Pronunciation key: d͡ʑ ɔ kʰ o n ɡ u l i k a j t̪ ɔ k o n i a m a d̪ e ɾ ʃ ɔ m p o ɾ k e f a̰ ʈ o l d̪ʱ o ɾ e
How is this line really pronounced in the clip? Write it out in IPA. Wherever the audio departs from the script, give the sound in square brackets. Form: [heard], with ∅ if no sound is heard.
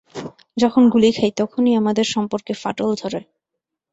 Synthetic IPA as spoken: d͡ʑ ɔ kʰ o n ɡ u l i [kʰ] a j t̪ ɔ [kʰ] o n i a m a d̪ e ɾ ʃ ɔ m p o ɾ k e f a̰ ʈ o l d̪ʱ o ɾ e